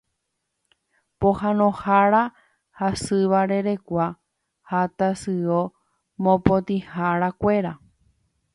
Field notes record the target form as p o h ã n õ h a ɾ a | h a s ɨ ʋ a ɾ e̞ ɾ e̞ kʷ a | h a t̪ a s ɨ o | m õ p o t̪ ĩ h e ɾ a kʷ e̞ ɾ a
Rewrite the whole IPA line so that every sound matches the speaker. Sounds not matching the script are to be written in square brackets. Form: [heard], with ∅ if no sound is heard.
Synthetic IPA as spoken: p o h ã n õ h a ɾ a | h a s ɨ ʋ a ɾ e̞ ɾ e̞ kʷ a | h a t̪ a s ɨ o | m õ p o t̪ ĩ h [a] ɾ a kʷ e̞ ɾ a